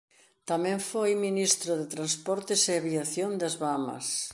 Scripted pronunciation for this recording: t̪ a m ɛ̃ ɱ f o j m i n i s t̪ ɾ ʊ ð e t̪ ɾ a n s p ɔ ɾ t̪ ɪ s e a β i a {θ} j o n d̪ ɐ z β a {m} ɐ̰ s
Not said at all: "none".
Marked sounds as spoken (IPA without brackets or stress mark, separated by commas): θ, m